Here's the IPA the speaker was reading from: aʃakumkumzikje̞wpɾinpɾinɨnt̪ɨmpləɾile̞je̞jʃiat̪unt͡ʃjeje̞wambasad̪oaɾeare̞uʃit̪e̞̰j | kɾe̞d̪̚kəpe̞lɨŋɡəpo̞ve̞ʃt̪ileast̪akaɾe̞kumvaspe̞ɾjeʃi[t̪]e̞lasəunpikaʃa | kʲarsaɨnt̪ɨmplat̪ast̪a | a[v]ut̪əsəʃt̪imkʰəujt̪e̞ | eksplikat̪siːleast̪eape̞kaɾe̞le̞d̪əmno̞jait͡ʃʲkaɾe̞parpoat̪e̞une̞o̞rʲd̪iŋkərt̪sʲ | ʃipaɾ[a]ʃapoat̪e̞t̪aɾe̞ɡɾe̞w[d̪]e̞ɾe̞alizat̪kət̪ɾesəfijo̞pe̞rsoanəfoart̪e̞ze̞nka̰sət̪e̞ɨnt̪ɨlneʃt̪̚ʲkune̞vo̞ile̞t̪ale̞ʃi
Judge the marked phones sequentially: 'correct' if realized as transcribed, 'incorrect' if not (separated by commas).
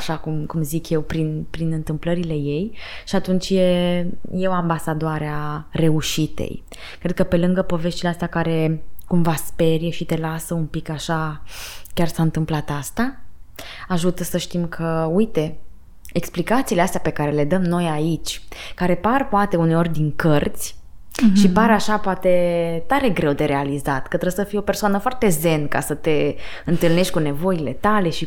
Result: correct, incorrect, correct, correct